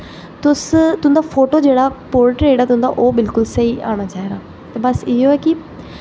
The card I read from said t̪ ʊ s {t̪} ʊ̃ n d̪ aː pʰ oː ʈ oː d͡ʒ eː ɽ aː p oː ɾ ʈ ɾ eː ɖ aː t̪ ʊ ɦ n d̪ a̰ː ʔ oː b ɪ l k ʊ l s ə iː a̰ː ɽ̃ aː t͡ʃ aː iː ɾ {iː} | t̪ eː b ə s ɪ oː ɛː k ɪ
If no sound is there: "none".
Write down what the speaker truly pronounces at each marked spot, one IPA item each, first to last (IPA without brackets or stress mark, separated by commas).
t̪, aː